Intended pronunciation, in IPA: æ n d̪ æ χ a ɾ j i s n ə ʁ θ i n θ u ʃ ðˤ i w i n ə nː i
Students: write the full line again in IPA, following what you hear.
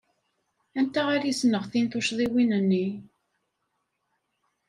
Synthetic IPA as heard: æ n t̪ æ ʁ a ɾ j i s n ə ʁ θ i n θ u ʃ ðˤ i w i n ə nː i